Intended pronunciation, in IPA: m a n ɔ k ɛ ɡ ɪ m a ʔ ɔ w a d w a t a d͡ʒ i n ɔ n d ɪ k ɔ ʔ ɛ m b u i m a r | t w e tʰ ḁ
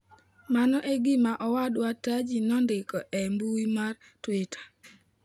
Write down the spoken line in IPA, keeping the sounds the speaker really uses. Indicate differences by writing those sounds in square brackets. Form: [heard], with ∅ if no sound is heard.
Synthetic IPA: m a n ɔ [ʔ] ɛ ɡ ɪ m a ʔ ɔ w a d w a t a d͡ʒ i n ɔ n d ɪ k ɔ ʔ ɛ m b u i m a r | t w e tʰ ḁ